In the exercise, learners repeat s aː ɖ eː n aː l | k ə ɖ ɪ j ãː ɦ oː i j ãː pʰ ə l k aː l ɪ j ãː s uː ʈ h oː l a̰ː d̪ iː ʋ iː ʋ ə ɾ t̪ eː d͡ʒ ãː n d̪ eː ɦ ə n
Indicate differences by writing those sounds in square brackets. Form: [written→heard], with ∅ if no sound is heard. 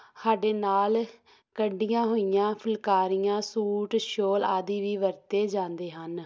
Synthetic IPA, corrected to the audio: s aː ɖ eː n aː l | k ə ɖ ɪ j ãː ɦ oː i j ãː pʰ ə l k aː [l→ɾ] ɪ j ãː s uː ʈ [h→ʃ] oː l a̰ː d̪ iː ʋ iː ʋ ə ɾ t̪ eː d͡ʒ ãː n d̪ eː ɦ ə n